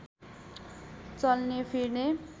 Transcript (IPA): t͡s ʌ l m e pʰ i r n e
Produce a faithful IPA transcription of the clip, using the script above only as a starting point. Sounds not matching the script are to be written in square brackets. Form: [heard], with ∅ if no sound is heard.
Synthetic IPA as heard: t͡s ʌ l [n] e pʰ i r n e